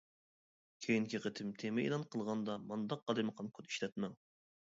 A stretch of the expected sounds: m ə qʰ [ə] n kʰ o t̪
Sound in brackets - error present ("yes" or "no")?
yes